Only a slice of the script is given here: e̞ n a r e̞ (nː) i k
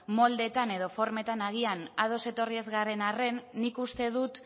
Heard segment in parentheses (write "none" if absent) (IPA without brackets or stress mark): nː